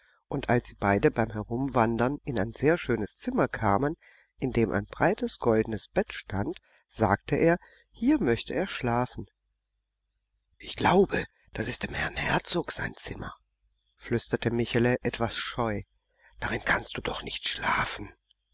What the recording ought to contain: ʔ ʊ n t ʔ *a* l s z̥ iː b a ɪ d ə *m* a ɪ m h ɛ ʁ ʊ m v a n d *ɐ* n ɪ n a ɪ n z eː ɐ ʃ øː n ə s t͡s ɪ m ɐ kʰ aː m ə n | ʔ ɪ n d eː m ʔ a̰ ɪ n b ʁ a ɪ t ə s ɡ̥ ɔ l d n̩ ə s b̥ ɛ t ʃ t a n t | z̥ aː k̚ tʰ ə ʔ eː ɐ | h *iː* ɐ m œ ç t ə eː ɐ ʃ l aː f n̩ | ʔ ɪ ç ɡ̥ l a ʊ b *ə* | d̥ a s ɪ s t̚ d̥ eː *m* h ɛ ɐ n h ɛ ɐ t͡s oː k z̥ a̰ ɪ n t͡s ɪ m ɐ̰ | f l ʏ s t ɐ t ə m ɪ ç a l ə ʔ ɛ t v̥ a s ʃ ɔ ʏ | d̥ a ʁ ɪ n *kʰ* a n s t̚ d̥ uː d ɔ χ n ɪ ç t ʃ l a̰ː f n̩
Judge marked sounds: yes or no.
yes, no, yes, yes, yes, yes, yes

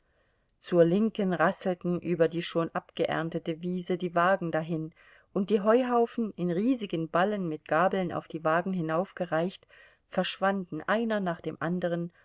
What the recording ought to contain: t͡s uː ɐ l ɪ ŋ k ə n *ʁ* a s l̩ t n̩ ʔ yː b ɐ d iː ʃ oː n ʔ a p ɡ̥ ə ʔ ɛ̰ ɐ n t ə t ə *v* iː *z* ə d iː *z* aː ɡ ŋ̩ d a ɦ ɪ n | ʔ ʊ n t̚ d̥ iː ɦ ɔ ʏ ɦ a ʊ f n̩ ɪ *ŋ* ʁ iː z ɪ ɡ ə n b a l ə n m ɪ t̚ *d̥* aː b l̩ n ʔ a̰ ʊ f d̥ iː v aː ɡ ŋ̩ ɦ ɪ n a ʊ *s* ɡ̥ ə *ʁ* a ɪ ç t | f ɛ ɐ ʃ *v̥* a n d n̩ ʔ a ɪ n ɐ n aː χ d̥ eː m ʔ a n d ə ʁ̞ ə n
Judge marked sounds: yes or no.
yes, yes, yes, no, no, no, no, yes, yes

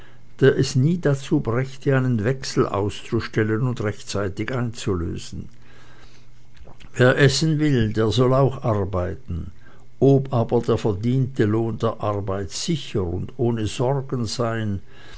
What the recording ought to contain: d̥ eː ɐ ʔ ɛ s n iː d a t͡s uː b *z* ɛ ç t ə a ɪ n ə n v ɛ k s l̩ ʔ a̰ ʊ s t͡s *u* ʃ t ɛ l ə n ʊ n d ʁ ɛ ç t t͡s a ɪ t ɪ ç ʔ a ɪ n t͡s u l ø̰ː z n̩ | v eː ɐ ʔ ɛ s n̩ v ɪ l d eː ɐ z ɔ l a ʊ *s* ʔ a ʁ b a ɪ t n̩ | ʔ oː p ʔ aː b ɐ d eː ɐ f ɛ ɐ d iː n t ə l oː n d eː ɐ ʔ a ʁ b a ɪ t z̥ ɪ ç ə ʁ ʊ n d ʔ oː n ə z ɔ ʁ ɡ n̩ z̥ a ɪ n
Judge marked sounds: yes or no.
no, yes, no

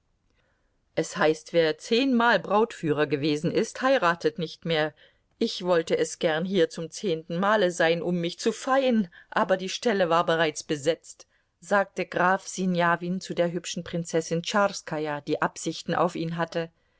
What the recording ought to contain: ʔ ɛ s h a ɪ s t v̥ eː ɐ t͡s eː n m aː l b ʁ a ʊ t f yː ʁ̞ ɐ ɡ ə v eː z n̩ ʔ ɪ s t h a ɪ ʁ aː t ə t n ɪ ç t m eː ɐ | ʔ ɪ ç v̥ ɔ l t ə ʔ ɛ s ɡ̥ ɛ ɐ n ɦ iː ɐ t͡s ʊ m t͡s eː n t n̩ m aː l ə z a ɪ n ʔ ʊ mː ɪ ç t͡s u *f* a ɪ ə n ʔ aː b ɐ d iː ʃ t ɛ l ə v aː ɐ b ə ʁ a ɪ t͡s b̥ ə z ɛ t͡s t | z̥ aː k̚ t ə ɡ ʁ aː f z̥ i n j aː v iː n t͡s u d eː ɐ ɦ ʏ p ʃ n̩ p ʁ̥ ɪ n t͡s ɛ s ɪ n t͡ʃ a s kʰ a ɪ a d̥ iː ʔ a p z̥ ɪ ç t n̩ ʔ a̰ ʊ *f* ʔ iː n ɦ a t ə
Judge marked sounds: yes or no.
yes, yes

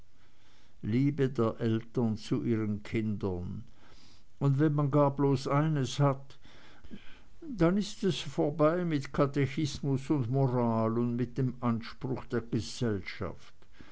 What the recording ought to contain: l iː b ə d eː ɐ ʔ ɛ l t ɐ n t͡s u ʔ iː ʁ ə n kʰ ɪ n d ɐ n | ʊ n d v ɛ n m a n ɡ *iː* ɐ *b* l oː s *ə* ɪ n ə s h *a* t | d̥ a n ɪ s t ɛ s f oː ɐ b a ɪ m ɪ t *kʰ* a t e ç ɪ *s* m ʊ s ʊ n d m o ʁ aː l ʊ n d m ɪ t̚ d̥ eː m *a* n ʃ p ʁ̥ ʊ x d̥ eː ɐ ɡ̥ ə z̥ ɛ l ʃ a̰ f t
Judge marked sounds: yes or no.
no, yes, no, yes, yes, yes, yes

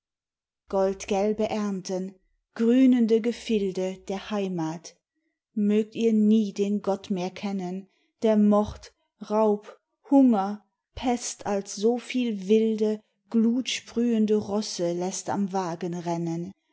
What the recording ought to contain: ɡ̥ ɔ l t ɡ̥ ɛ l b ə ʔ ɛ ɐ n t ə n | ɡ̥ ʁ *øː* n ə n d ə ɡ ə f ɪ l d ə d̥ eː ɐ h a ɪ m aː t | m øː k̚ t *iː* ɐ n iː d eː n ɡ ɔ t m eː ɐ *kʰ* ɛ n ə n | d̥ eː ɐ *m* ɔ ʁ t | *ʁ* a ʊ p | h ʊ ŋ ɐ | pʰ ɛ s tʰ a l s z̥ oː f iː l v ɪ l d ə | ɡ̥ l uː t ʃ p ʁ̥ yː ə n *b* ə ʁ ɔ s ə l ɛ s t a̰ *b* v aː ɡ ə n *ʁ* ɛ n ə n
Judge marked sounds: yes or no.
no, yes, yes, yes, yes, no, no, yes

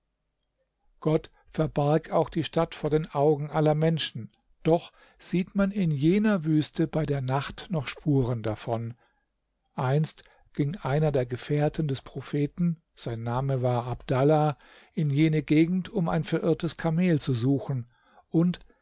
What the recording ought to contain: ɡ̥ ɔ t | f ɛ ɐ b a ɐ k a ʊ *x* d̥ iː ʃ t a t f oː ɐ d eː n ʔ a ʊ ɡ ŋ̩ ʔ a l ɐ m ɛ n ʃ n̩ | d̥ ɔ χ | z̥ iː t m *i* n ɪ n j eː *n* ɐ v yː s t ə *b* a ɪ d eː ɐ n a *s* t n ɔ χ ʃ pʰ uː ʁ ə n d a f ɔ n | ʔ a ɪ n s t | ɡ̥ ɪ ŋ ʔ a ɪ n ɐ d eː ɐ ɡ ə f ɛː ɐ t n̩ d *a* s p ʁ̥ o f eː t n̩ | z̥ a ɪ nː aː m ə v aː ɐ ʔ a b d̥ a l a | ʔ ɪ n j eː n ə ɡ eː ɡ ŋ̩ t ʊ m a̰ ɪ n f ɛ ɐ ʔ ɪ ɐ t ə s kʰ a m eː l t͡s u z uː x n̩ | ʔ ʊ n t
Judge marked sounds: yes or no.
yes, no, yes, yes, no, no

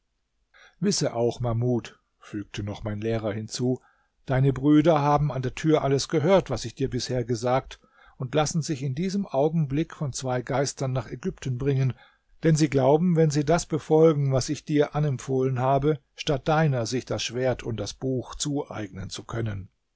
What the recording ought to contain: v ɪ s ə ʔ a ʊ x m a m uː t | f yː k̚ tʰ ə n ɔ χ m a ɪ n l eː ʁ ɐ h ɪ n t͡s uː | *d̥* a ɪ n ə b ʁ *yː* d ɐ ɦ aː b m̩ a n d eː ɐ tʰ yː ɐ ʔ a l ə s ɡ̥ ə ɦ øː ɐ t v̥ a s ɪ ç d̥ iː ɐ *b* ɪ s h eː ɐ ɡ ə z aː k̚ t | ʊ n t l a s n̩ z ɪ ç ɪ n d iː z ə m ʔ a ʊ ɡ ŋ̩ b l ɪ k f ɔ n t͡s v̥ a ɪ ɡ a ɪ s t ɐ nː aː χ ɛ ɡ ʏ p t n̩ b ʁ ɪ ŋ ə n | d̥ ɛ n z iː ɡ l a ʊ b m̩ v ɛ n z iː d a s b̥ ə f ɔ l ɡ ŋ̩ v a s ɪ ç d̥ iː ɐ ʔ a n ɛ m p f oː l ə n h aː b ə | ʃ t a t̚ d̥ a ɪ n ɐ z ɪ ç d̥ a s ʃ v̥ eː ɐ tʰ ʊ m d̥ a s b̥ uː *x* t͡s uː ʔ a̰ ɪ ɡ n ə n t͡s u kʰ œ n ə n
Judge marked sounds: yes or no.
yes, yes, yes, yes

